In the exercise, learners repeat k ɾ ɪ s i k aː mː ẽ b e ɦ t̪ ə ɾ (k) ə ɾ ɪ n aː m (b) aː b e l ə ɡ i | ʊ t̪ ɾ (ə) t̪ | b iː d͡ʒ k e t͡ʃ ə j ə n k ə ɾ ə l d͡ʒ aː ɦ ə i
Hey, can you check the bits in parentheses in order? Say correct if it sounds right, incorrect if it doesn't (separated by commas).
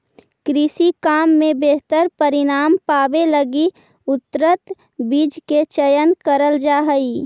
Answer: incorrect, incorrect, correct